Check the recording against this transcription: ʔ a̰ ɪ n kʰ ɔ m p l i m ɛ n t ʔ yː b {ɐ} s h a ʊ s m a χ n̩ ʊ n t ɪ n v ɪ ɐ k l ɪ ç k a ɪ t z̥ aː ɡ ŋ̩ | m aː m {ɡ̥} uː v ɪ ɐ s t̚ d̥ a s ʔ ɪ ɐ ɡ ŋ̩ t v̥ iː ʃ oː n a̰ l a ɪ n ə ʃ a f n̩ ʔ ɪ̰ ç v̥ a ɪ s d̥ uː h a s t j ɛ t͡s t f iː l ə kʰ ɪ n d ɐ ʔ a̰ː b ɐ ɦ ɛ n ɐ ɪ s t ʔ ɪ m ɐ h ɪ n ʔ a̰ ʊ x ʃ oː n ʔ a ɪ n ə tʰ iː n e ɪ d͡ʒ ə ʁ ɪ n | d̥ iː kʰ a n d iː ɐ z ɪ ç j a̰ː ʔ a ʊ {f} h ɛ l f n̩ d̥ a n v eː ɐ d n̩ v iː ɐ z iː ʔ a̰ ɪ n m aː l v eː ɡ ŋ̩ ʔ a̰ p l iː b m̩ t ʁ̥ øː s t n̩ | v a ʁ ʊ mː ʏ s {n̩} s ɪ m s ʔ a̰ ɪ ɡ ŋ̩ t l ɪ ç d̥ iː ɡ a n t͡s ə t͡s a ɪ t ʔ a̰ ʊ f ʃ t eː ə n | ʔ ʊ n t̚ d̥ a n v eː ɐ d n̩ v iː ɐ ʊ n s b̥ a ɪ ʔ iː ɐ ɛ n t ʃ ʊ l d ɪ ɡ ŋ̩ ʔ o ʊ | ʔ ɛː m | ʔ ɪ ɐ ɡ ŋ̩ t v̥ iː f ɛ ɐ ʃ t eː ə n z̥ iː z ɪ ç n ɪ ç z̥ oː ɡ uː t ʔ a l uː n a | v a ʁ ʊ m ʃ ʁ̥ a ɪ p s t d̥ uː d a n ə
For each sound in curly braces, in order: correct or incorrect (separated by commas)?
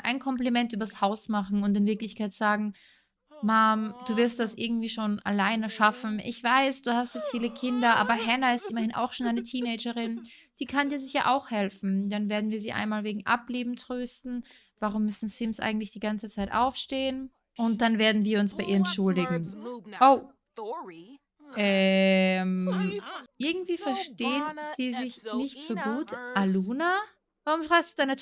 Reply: correct, incorrect, incorrect, correct